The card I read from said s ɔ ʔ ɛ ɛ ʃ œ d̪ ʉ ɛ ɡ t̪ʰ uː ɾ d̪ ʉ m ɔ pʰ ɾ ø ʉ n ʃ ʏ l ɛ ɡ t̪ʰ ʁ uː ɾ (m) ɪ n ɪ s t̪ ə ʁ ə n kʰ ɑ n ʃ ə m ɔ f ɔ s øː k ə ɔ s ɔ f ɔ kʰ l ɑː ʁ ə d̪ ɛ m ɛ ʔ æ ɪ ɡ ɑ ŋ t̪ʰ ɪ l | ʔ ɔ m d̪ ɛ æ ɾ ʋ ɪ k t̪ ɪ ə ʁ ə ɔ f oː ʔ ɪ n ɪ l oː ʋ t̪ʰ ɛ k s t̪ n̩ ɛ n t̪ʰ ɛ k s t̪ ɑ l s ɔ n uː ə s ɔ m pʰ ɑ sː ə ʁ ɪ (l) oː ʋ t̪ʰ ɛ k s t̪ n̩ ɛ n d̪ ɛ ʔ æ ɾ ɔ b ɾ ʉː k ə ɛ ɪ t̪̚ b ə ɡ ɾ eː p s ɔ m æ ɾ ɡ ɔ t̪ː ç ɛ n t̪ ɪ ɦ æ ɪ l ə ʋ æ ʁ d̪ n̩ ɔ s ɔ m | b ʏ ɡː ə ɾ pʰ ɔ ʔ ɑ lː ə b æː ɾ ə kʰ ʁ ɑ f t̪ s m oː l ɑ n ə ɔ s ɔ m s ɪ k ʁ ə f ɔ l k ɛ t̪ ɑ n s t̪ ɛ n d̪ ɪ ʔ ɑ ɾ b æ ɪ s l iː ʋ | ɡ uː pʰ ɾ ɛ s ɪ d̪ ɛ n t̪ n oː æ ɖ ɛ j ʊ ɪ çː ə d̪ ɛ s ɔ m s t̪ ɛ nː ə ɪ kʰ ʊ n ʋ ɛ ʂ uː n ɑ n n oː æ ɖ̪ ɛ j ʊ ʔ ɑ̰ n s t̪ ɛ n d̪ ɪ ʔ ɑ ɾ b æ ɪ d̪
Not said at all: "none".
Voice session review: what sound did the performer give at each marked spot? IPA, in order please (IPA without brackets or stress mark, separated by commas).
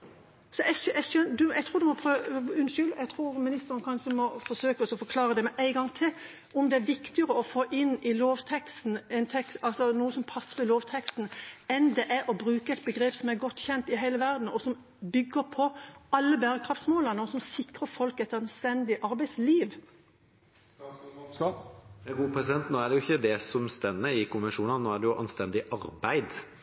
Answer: m, l